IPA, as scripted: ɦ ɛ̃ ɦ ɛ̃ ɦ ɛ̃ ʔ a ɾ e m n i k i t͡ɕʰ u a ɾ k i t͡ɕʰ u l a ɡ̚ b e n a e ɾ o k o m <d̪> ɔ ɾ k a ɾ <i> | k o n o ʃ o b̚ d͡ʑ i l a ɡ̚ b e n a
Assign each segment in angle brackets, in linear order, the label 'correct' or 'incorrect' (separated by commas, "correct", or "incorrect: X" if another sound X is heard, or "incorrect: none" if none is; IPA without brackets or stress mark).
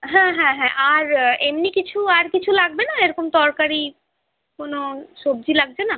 incorrect: t̪, correct